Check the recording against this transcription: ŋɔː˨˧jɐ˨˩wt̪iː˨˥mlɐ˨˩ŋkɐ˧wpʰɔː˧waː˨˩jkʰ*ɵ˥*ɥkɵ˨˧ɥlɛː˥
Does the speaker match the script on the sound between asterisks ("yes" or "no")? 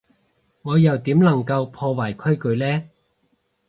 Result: yes